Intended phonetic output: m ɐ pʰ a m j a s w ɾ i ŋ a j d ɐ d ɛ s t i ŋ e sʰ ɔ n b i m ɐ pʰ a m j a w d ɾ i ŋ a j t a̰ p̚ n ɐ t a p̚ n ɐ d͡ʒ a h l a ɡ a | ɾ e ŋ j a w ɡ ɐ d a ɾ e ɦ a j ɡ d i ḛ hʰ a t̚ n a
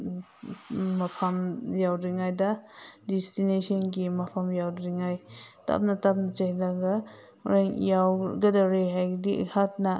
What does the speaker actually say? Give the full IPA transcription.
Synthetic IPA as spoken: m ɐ pʰ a m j a w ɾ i ŋ a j d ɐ d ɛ s t i n e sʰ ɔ n ɡ i m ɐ pʰ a m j a w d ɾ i ŋ a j t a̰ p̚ n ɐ t a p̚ n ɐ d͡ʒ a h l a ɡ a | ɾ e ŋ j a w ɡ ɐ d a ɾ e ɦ a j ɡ d i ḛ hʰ a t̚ n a